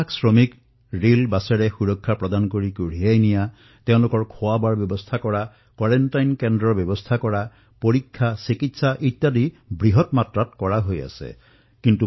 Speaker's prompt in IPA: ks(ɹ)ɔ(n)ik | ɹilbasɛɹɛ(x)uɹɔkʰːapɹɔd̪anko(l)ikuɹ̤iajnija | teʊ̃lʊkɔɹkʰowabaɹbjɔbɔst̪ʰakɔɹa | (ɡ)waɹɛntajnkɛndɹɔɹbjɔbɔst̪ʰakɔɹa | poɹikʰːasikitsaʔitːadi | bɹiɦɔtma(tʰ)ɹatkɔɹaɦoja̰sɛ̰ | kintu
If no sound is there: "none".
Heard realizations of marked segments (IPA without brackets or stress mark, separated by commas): ɹ, m, x, ɹ, k, t